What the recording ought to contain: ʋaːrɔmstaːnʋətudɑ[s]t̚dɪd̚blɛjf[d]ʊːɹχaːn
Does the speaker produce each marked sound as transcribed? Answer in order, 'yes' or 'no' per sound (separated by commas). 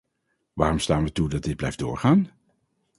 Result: no, yes